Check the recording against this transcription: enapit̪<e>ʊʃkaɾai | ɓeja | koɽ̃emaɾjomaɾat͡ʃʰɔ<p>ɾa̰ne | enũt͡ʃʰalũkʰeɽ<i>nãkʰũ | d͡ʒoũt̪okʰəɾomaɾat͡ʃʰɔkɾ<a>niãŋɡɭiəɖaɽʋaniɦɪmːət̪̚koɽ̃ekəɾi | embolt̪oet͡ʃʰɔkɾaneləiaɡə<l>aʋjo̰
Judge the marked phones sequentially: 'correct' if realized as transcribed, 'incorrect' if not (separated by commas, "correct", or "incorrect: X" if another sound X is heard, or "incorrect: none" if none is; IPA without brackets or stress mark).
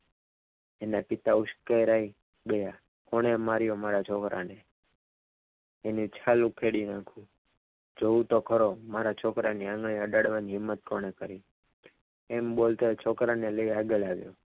incorrect: a, incorrect: k, correct, correct, correct